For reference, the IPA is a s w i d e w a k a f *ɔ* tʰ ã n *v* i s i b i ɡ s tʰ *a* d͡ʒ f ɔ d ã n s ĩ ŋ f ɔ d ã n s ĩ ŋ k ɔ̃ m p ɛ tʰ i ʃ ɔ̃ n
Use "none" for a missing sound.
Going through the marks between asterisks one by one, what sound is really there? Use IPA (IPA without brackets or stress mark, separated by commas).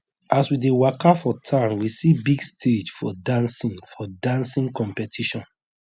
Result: ɔ, w, e